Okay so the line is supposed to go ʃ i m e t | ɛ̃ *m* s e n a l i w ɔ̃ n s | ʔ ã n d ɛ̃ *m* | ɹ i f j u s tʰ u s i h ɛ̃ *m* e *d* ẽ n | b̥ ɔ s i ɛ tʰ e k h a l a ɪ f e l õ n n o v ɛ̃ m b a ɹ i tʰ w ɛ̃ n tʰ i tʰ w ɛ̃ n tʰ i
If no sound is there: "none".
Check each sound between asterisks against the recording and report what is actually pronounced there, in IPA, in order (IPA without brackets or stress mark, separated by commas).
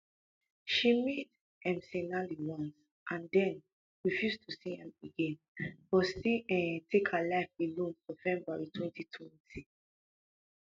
m, n, m, ɡ